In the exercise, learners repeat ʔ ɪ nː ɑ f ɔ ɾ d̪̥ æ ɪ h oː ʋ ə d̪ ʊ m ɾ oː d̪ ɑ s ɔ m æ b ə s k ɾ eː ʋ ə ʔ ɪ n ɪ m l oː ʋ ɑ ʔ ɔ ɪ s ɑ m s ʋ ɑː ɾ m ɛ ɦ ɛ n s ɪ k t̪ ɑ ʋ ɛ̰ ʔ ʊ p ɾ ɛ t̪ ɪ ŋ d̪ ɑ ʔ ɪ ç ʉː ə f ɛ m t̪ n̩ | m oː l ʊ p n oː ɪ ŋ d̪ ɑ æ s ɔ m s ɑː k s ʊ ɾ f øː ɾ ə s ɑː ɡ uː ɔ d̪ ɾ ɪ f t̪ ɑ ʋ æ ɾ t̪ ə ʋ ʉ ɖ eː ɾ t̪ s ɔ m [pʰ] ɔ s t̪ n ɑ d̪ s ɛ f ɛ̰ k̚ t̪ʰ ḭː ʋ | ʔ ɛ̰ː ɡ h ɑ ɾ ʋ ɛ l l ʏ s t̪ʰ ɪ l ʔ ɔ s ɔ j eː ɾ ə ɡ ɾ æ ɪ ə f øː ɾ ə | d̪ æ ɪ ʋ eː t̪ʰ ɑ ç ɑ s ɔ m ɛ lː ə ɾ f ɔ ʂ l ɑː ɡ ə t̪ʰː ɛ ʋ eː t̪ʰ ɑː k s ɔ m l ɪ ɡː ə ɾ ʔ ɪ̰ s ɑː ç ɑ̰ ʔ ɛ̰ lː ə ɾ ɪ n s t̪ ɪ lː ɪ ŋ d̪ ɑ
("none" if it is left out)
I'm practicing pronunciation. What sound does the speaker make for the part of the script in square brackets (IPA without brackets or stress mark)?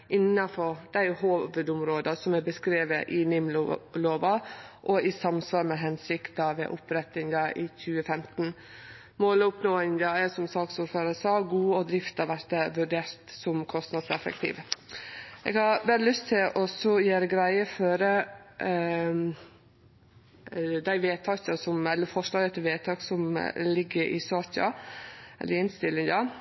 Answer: kʰ